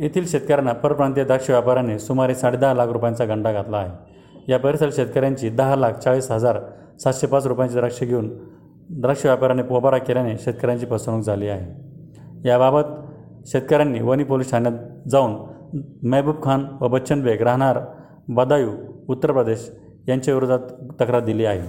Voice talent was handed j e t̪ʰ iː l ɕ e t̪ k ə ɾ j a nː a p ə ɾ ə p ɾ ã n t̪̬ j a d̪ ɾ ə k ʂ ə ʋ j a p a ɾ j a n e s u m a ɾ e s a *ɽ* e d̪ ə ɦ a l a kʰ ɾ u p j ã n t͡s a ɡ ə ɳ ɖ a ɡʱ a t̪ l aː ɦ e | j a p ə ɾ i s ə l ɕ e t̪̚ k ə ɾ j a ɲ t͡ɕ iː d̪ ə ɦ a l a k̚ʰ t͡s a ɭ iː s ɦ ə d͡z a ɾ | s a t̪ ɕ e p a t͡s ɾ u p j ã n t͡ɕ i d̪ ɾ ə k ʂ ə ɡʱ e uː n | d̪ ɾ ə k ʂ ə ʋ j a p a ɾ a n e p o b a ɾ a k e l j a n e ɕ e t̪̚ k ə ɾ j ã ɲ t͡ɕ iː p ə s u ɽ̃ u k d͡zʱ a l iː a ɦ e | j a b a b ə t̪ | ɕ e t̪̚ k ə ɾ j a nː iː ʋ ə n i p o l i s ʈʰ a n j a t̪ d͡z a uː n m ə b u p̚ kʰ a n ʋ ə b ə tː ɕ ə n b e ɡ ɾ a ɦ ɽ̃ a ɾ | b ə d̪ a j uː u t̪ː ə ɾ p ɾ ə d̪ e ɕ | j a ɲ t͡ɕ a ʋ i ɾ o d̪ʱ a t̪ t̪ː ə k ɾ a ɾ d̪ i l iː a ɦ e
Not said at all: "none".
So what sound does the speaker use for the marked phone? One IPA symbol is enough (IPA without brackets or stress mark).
ɽ